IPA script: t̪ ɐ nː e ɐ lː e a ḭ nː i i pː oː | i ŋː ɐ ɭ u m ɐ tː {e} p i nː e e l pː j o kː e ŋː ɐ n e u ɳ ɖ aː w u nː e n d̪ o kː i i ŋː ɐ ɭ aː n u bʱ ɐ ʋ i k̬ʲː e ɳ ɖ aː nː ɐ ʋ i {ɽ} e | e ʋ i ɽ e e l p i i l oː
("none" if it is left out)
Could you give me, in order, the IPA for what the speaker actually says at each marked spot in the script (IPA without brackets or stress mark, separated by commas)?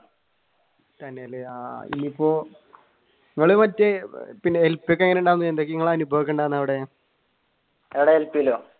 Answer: e, ɽ